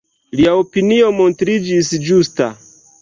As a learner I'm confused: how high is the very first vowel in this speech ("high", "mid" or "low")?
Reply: high